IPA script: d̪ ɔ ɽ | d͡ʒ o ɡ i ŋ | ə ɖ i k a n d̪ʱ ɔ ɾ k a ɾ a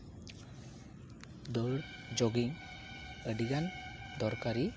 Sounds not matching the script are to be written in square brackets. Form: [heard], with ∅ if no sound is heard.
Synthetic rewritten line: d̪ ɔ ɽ | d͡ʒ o ɡ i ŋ | ə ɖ i [ɡ] a n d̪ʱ ɔ ɾ k a ɾ [i]